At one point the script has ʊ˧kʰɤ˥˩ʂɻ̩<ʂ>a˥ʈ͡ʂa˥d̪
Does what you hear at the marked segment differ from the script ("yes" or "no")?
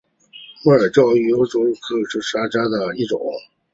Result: no